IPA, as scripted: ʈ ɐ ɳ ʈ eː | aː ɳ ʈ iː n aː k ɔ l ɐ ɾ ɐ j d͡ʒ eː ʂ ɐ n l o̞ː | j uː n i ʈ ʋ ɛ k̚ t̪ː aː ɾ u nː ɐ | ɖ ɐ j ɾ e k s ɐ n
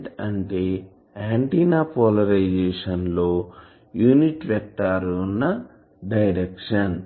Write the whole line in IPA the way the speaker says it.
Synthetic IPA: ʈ ɐ ɳ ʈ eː | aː ɳ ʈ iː n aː p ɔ l ɐ ɾ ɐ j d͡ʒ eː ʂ ɐ n l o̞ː | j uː n i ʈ ʋ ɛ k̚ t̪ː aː ɾ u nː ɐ | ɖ ɐ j ɾ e k ʂ ɐ n